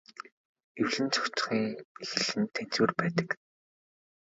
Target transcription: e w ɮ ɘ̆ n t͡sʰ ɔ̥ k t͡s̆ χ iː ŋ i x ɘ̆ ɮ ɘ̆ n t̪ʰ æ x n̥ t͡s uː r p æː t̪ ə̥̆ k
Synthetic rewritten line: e w ɮ ɘ̆ n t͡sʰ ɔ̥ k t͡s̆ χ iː ŋ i x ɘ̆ ɮ ɘ̆ n t̪ʰ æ n̥ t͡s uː r p æː t̪ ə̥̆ k

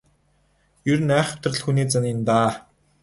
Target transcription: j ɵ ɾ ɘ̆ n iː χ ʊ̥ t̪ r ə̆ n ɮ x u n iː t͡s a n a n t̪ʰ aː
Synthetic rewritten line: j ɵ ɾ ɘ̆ n æː χ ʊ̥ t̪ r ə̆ ɮ x u n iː t͡s a n i n t̪ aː

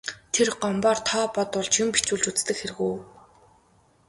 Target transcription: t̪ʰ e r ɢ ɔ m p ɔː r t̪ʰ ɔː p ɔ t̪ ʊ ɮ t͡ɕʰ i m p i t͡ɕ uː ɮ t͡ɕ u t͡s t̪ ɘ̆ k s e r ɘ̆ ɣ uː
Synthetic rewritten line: t̪ʰ e r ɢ ɔ m p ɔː r t̪ʰ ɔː p ɔ t̪ ʊ ɮ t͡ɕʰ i m p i t͡ɕ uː ɮ t͡ɕ u t͡s t̪ ɘ̆ k x e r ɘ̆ ɣ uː

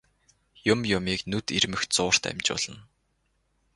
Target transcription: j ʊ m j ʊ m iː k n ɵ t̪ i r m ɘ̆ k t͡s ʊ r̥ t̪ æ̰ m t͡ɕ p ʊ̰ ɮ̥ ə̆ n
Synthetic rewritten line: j ʊ m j ʊ m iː k n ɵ t̪ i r m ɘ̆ x t͡s ʊː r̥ t̪ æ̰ m t͡ɕ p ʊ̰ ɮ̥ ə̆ n

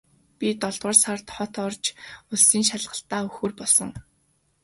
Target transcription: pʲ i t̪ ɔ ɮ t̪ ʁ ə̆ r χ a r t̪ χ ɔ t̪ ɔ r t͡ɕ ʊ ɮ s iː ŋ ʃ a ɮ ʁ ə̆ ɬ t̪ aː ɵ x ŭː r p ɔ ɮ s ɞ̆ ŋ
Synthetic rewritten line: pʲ i t̪ ɔ ɮ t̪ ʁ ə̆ r s a r t̪ χ ɔ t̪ ɔ r t͡ɕ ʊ ɮ s iː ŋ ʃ a ɮ ʁ ə̆ ɬ t̪ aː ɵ x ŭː r p ɔ ɮ s ɞ̆ ŋ

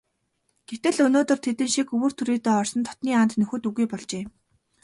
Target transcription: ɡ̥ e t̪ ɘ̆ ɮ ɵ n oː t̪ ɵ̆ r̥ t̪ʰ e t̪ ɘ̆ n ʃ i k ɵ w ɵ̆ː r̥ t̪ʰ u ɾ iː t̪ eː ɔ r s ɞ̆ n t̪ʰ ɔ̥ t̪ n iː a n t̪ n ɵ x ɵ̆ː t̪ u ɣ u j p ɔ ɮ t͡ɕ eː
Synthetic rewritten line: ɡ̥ e t̪ ɘ̆ ɮ ɵ n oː t̪ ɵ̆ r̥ t̪ʰ e t̪ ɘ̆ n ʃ i k ɵ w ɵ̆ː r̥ t̪ʰ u ɾ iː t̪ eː ɔ r s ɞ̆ n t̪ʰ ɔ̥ t̪ n iː a n t̪ n ɵ x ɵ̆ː t̪ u ɣ u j p ɔ ɮ t͡ɕ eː

